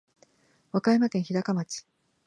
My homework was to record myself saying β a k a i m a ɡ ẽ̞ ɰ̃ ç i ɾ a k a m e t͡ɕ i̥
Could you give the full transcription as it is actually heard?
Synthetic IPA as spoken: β a k a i m a k ẽ̞ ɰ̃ ç i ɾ a k a m a t͡ɕ i̥